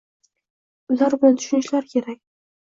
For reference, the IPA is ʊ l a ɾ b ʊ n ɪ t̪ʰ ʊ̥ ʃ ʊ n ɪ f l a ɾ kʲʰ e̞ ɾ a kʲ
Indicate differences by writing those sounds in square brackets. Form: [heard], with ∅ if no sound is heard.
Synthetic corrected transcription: ʊ l a ɾ b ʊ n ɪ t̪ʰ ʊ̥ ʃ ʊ n ɪ [ʃ] l a ɾ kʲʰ e̞ ɾ a kʲ